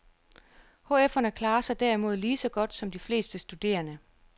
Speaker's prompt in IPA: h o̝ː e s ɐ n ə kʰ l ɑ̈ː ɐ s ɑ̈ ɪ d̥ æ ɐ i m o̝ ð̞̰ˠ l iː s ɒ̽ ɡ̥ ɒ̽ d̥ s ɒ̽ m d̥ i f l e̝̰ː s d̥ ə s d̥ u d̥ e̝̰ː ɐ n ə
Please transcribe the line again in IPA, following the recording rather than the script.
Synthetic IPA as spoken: h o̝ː e f ɐ n ə kʰ l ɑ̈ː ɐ s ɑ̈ ɪ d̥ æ ɐ i m o̝ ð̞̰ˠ l iː s ɒ̽ ɡ̥ ɒ̽ d̥ s ɒ̽ m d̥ i f l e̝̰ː s d̥ ə s d̥ u d̥ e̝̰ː ɐ n ə